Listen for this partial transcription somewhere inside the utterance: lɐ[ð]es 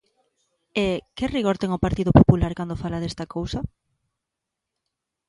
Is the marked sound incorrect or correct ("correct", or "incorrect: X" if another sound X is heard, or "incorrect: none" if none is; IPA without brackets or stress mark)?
correct